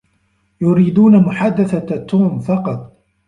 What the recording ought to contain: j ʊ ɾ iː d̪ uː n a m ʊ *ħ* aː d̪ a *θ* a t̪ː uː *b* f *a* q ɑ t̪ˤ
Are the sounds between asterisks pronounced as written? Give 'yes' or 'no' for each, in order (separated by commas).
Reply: yes, yes, no, no